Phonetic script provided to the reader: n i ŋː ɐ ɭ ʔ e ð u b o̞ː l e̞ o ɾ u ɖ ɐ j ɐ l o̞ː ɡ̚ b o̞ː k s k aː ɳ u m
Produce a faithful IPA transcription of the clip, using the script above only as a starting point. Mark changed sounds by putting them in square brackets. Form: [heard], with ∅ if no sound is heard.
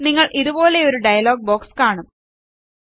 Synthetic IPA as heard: n i ŋː ɐ ɭ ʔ [i] ð u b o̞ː l e̞ o ɾ u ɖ ɐ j ɐ l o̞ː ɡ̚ b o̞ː k s k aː ɳ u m